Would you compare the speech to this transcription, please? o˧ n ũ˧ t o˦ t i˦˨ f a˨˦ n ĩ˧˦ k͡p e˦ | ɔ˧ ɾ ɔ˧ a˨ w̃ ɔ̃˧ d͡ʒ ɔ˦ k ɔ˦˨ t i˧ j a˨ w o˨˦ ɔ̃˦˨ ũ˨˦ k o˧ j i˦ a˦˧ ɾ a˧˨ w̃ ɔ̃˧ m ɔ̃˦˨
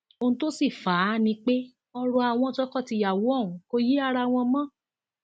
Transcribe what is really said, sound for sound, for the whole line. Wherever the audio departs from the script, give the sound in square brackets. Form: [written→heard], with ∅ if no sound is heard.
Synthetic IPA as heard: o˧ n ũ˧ t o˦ [t→s] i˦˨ f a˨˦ n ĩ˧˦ k͡p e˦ | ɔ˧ ɾ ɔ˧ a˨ w̃ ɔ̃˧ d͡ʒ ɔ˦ k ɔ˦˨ t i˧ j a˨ w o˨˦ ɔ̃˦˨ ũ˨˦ k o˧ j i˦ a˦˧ ɾ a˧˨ w̃ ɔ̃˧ m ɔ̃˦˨

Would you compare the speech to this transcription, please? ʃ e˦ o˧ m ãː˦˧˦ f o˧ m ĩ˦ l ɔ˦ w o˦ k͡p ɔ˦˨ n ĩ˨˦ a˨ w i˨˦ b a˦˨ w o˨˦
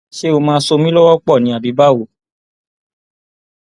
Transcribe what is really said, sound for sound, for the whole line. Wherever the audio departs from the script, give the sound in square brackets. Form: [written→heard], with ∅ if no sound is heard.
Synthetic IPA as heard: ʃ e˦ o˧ m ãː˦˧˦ [f→s] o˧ m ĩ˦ l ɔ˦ w [o˦→ɔ˦] k͡p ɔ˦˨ n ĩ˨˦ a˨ [w→b] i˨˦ b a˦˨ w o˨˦

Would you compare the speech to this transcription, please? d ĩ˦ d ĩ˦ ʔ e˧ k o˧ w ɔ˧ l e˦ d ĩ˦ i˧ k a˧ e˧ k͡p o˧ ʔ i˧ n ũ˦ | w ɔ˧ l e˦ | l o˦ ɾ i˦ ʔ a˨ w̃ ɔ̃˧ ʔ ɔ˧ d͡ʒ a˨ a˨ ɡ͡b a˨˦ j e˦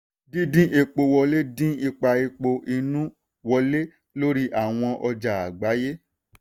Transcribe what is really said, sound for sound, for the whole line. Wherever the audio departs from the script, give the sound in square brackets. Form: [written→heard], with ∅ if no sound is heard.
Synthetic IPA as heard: d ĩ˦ d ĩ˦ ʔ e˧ [k→k͡p] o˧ w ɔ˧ l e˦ d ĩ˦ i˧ [k→k͡p] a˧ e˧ k͡p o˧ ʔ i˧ n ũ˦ | w ɔ˧ l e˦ | l o˦ ɾ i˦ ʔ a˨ w̃ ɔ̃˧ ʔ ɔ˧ d͡ʒ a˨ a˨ ɡ͡b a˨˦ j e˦

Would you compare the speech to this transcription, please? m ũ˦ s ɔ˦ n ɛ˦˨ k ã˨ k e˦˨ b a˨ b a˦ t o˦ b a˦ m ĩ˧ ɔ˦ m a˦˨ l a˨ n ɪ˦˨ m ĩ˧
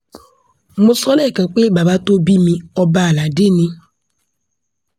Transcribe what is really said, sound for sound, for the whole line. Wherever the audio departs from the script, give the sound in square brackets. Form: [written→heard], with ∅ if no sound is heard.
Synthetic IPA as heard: m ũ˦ s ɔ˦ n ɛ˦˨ k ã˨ [k→k͡p] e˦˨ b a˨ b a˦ t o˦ b [a˦→i˦] m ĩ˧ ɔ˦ [m→b] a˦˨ l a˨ [n→d] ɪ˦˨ [m→n] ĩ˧

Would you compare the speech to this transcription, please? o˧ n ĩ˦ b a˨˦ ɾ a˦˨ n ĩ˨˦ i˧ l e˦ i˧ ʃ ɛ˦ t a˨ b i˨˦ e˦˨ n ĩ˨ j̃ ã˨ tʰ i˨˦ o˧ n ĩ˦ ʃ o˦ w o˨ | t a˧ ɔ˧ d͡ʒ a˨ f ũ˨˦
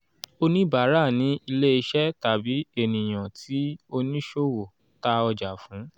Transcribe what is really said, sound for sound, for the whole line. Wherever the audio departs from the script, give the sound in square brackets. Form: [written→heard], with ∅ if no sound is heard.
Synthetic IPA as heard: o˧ n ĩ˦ b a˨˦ ɾ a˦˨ n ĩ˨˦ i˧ l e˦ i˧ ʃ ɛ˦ t a˨ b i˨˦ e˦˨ n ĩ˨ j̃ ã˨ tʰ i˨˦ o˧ n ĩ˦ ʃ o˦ w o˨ | t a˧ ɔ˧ d͡ʒ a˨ f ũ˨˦

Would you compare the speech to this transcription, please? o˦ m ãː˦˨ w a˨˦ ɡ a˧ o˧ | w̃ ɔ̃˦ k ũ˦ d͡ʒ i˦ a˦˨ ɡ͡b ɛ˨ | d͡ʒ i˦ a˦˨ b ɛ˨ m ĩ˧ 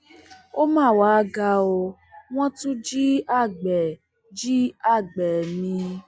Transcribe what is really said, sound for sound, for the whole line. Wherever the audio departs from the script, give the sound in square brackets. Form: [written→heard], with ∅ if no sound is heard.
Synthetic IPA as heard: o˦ m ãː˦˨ w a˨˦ ɡ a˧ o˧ | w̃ ɔ̃˦ [k→t] ũ˦ d͡ʒ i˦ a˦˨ ɡ͡b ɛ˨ | d͡ʒ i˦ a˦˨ [b→ɡ͡b] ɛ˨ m ĩ˧

